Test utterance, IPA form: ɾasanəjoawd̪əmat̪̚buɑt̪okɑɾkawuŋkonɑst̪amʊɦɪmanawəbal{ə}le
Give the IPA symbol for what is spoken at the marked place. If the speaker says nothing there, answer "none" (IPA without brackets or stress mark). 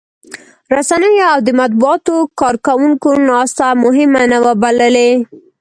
ə